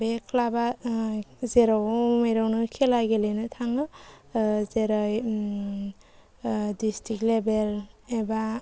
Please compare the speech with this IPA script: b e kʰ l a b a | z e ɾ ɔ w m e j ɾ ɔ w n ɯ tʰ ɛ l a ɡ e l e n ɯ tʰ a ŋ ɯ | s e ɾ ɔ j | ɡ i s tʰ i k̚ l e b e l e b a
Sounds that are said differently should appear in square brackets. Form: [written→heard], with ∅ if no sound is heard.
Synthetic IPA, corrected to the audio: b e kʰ l a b a | z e ɾ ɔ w m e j ɾ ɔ w n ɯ [tʰ→kʰ] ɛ l a ɡ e l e n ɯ tʰ a ŋ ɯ | [s→z] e ɾ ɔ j | [ɡ→d] i s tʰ i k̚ l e b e l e b a